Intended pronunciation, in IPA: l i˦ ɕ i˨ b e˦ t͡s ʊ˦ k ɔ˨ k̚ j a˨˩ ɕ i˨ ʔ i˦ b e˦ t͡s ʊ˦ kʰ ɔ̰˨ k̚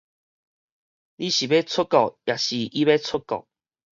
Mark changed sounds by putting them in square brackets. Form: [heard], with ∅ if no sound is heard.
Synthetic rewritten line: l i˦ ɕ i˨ b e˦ [t͡sʰ] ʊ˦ k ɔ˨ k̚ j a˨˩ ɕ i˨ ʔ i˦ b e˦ [t͡sʰ] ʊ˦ [k] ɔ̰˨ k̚